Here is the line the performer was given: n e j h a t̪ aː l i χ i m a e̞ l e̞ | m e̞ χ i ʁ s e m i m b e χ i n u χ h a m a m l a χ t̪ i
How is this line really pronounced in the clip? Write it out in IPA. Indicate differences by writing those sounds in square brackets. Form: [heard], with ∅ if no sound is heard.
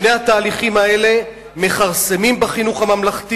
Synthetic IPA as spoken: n e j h a t̪ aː l i χ i m a e̞ l e̞ | m e̞ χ [a] ʁ s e m i m b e χ i n u χ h a m a m l a χ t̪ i